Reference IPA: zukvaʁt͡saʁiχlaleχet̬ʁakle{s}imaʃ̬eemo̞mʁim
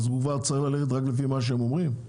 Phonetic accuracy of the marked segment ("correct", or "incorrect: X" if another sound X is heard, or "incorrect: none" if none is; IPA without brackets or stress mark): incorrect: f